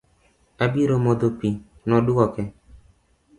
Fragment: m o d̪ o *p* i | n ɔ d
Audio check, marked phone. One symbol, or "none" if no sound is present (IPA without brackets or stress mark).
p